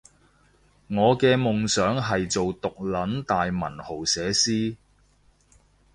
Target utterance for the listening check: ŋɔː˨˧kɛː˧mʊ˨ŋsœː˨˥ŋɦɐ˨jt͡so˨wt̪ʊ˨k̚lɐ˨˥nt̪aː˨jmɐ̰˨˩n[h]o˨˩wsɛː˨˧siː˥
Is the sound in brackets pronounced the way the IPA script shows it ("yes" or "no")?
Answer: yes